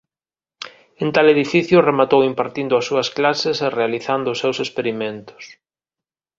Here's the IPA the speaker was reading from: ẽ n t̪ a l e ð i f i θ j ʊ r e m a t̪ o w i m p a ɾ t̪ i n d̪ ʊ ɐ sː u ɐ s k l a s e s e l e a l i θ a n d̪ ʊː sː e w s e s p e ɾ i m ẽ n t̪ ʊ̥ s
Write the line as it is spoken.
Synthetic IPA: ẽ n t̪ a l e ð i f i θ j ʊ r e m a t̪ o w i m p a ɾ t̪ i n d̪ ʊ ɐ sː u ɐ s k l a s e s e r e a l i θ a n d̪ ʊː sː e w s e s p e ɾ i m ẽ n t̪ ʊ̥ s